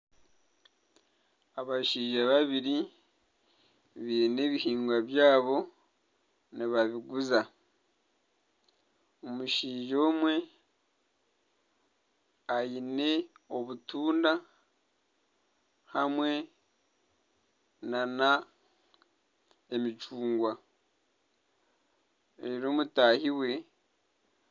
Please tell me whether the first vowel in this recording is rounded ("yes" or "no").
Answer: no